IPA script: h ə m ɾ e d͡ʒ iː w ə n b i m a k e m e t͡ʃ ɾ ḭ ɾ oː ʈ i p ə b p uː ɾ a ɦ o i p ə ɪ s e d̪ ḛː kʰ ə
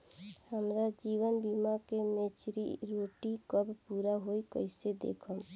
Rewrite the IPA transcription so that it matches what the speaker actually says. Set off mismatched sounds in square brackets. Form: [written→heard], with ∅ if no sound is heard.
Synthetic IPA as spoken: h ə m ɾ [e→a] d͡ʒ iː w ə n b i m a k e m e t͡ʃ ɾ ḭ ɾ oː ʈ i [p→k] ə b p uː ɾ a ɦ o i [p→k] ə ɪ s e d̪ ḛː kʰ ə